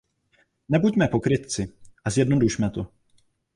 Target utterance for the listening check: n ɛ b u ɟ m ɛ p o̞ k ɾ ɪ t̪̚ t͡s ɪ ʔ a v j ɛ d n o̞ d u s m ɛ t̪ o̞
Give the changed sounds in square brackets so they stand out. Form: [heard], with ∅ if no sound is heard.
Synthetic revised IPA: n ɛ b u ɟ m ɛ p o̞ k ɾ ɪ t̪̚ t͡s ɪ ʔ a [z] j ɛ d n o̞ d u [ʃ] m ɛ t̪ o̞